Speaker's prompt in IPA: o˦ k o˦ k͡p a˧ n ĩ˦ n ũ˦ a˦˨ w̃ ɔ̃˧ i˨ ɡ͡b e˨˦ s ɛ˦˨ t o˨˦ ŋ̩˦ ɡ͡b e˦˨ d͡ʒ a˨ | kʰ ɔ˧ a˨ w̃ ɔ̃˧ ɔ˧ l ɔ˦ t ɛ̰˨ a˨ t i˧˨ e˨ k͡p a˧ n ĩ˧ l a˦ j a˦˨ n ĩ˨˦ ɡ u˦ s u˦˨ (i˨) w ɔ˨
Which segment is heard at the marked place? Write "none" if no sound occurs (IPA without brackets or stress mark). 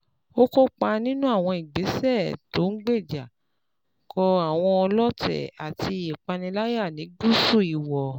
i˨